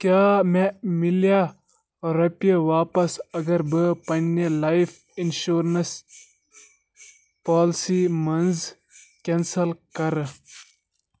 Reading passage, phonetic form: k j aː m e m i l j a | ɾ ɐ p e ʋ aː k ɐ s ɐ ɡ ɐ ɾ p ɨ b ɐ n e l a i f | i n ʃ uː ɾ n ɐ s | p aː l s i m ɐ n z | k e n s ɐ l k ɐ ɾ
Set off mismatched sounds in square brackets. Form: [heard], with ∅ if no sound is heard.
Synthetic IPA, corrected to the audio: k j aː m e m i l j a | ɾ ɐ p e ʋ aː [p] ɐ s ɐ ɡ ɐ ɾ [b] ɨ [p] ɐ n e l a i f | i n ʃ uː ɾ n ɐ s | p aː l s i m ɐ n z | k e n s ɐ l k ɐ ɾ